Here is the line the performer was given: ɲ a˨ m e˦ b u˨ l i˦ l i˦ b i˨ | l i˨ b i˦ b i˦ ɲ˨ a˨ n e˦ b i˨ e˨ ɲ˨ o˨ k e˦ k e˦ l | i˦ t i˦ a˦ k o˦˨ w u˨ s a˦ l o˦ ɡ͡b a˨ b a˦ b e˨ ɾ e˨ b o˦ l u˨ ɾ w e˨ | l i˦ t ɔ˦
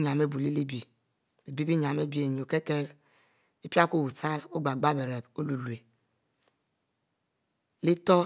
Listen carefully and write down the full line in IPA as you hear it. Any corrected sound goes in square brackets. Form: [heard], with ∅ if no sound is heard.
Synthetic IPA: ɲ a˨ m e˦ b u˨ l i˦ l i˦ b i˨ | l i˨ b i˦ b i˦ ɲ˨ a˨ [m] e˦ b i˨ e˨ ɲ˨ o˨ k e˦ k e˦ l | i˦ [p] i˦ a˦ k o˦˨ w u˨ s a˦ l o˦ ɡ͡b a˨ [ɡ͡b] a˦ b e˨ ɾ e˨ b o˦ l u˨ [l] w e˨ | l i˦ t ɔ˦

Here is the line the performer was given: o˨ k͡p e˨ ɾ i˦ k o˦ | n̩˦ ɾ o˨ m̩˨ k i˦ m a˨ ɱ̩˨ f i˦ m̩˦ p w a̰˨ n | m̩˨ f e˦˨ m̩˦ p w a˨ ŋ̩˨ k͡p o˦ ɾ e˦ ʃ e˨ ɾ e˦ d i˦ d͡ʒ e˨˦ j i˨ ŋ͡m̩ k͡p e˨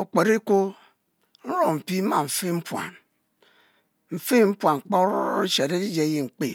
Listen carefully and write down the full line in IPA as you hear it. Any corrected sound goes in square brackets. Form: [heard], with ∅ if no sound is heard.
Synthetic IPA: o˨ k͡p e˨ ɾ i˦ k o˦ | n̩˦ ɾ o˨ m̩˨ [p] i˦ m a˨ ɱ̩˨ f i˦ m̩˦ p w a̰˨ n | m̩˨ f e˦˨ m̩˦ p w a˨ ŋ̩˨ k͡p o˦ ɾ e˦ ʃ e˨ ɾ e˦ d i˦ d͡ʒ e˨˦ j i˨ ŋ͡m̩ k͡p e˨

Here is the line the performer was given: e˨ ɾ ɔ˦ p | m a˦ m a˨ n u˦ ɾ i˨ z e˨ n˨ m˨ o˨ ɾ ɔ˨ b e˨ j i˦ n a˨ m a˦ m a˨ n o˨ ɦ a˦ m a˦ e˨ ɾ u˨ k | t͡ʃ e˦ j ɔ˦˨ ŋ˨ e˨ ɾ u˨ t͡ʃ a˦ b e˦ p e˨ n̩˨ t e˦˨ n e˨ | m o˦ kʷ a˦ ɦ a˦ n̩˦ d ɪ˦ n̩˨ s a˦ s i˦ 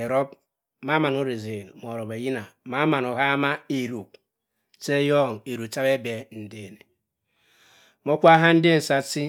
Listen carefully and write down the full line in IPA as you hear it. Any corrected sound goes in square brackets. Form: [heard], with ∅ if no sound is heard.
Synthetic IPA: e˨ ɾ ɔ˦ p | m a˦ m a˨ n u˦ ɾ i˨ z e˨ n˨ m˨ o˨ ɾ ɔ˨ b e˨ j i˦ n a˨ m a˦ m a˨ n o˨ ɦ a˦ m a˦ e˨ ɾ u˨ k | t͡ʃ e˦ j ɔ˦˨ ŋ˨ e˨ ɾ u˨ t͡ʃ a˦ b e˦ [b] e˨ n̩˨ [d] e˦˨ n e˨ | m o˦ kʷ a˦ ɦ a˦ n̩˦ d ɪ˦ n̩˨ s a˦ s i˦

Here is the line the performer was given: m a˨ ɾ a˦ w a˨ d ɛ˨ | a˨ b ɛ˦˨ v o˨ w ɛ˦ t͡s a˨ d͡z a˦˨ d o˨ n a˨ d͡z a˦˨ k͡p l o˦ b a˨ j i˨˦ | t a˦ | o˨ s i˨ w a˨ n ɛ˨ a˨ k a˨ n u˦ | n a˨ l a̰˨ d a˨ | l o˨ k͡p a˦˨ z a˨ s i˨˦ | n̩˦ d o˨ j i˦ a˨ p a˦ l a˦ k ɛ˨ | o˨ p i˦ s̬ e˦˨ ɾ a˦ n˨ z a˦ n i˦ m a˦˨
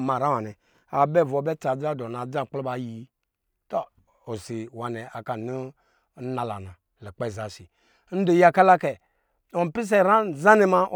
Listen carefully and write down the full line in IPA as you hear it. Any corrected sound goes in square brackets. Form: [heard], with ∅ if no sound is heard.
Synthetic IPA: m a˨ ɾ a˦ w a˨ [n] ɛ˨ | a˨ b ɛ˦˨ v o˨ [b] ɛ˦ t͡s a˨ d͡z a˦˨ d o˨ n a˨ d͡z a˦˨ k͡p l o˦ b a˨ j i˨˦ | t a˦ | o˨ s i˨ w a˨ n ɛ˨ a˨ k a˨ n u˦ | n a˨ l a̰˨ [n] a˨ | l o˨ k͡p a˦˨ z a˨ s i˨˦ | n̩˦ d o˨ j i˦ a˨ [k] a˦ l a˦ k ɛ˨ | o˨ p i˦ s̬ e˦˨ ɾ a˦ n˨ z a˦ n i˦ m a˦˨

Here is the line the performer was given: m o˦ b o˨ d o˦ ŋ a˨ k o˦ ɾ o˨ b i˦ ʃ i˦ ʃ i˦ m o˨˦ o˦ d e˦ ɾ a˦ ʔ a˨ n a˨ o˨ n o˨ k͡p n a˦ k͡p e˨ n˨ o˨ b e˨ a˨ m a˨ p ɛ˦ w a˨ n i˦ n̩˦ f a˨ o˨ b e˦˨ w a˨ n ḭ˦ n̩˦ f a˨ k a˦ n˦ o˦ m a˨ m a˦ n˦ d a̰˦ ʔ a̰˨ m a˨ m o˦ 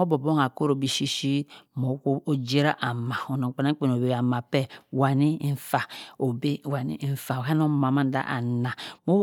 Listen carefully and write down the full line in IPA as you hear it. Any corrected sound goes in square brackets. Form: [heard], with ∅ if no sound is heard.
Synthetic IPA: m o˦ b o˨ [b] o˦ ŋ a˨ k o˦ ɾ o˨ b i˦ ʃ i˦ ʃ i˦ m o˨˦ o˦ [d͡ʒ] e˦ ɾ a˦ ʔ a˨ [m] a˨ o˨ n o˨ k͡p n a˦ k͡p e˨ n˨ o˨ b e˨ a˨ m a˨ p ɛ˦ w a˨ n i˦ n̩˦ f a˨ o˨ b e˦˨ w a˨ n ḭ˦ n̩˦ f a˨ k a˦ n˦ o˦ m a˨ m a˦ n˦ d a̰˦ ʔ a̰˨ [n] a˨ m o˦

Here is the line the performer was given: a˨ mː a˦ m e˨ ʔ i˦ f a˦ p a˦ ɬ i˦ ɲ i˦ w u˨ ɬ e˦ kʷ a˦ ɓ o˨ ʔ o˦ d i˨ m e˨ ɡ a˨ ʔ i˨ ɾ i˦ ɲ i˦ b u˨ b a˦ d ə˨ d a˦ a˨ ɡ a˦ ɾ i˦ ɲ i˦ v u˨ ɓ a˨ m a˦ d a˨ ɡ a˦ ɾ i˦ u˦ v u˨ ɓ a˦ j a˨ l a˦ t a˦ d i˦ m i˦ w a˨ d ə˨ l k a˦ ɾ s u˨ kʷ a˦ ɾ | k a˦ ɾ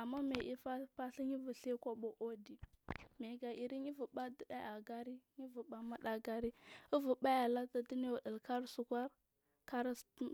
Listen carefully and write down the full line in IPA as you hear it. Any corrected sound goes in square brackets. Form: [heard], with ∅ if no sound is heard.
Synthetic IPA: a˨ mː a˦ m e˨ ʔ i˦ f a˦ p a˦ ɬ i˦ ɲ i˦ [v] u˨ ɬ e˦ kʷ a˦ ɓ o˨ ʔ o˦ d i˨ m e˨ ɡ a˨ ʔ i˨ ɾ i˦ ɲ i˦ [v] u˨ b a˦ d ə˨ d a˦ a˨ ɡ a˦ ɾ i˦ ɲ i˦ v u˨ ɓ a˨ m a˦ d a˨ ɡ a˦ ɾ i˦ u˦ v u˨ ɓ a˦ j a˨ l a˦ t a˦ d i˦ [n] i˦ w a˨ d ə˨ l k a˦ ɾ s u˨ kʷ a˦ ɾ | k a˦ ɾ

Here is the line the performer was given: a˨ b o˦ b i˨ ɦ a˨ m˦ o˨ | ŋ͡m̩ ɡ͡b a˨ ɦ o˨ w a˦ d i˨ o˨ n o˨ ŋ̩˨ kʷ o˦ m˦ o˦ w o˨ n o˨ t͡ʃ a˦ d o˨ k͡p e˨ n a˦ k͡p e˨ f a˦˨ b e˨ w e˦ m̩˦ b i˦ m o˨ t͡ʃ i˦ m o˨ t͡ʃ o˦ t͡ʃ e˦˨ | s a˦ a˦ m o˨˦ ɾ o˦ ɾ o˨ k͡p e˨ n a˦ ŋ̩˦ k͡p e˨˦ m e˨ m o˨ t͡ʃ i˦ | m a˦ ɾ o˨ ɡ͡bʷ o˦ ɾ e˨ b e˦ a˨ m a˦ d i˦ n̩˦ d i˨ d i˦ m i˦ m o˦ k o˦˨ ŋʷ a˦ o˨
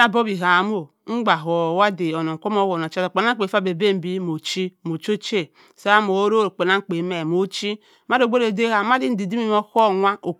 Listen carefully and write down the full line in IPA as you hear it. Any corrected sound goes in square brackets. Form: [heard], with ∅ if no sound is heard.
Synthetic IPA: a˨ b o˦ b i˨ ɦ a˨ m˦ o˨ | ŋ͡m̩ ɡ͡b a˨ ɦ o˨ w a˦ d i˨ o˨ n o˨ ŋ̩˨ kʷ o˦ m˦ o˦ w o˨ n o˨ t͡ʃ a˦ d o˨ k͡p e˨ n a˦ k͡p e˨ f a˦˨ b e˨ [b] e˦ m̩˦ b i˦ m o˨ t͡ʃ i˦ m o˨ t͡ʃ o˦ t͡ʃ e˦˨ | s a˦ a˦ m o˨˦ ɾ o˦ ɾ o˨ k͡p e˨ n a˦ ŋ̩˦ k͡p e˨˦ m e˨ m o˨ t͡ʃ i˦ | m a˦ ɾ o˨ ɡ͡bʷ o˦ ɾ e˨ [d] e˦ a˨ m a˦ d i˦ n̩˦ d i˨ d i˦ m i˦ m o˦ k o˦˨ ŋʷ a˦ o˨

